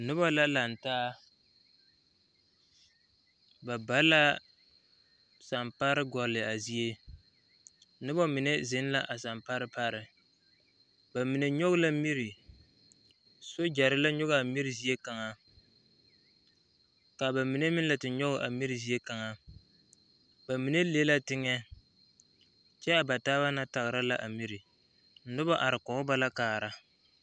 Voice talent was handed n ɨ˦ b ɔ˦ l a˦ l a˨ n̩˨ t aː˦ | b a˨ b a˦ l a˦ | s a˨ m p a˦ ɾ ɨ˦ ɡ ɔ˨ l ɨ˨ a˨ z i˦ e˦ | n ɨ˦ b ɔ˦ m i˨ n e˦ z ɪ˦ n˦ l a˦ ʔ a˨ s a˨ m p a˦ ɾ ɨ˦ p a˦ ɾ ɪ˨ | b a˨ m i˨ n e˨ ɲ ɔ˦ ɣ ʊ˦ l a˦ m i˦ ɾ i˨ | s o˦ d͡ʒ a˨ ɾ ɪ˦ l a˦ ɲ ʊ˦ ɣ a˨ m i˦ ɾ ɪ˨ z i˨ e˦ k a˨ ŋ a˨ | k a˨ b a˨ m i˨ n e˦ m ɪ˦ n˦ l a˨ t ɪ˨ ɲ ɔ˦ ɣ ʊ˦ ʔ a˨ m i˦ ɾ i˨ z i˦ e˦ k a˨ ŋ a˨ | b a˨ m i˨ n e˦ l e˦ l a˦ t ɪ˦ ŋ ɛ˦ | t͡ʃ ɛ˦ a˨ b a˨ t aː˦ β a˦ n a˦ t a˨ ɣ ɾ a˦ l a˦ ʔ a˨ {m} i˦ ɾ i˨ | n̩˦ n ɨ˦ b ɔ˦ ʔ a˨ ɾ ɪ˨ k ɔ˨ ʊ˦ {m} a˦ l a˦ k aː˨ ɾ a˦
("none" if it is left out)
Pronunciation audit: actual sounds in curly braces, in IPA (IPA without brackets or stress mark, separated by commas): m, b